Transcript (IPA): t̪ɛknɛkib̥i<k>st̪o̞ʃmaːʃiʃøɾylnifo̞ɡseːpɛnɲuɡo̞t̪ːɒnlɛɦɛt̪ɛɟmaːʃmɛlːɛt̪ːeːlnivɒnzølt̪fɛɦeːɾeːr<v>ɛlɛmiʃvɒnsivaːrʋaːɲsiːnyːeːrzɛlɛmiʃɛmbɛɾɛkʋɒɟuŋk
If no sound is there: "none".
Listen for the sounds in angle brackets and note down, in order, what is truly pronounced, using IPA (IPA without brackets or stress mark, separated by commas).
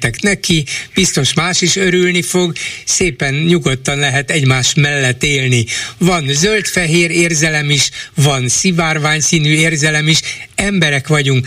none, z